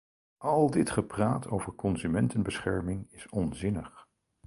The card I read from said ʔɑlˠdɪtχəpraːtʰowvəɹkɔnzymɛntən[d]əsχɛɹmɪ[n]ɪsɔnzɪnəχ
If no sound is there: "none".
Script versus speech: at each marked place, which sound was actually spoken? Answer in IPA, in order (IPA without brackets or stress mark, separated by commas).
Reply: b, ŋ